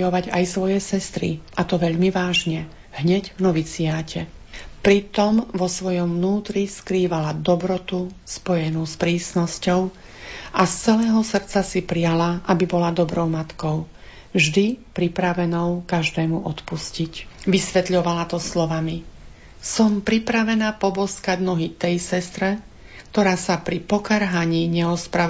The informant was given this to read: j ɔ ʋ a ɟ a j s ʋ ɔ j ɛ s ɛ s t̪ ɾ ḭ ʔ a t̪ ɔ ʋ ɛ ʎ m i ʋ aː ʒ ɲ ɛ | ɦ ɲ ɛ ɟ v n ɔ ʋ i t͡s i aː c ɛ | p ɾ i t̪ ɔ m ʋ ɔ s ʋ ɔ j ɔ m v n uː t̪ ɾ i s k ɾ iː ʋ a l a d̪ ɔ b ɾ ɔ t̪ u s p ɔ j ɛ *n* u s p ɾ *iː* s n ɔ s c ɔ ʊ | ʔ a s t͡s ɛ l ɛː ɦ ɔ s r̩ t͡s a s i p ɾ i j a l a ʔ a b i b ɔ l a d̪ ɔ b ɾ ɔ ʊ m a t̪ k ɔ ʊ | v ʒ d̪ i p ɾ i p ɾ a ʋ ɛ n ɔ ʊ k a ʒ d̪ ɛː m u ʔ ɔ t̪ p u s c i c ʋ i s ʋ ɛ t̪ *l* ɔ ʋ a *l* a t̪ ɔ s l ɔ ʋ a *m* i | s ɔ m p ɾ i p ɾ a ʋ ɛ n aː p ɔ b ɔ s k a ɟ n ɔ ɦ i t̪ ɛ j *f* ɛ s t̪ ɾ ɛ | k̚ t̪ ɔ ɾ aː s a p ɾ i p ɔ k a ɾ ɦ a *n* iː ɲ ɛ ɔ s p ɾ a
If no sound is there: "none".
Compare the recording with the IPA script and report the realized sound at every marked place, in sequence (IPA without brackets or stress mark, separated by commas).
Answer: n, iː, ʎ, l, m, s, ɲ